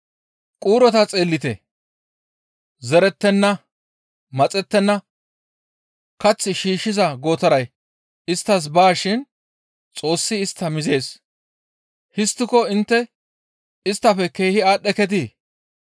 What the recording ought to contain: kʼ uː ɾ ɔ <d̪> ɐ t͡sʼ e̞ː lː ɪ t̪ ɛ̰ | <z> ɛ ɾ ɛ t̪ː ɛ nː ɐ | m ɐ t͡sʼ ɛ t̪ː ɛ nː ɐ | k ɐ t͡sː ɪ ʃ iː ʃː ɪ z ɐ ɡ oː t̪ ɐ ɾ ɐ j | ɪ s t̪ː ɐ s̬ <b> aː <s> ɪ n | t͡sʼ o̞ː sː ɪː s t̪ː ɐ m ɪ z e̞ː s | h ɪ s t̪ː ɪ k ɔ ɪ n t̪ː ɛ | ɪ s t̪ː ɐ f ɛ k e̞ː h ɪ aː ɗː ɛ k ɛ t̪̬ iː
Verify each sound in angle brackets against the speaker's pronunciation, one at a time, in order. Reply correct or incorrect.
incorrect: t̪, correct, correct, incorrect: ʃ

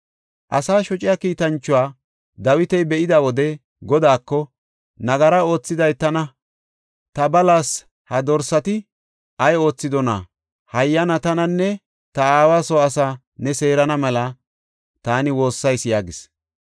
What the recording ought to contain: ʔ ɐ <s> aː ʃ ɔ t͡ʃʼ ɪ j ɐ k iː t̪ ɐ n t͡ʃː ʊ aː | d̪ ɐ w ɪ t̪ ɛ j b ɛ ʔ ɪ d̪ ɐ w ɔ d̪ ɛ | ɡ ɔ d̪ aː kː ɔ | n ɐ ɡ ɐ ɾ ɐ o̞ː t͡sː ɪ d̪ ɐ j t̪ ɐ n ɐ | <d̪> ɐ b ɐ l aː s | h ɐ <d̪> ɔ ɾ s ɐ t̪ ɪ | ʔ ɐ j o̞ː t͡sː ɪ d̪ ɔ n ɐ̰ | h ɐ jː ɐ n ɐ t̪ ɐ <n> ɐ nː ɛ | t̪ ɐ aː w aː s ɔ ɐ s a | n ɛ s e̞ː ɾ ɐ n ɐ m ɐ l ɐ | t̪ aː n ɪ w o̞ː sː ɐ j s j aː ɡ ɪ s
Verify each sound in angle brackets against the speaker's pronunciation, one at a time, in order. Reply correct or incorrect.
correct, incorrect: t̪, correct, correct

